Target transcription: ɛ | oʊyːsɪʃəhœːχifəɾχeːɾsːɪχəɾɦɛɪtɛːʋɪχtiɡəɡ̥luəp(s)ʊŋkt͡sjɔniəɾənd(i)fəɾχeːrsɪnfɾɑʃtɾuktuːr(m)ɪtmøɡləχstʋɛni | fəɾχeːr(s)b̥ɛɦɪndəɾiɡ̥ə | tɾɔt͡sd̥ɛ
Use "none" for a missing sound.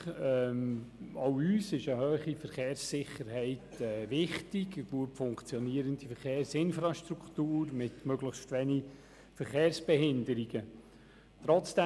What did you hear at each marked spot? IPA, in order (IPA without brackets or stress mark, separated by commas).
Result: f, i, m, s